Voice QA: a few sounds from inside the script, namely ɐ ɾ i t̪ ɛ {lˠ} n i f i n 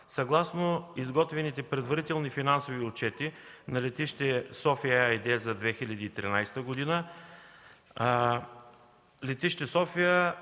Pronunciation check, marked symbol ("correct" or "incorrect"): correct